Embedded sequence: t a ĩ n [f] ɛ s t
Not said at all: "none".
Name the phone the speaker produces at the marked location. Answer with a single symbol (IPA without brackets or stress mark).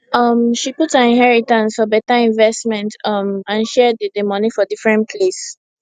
v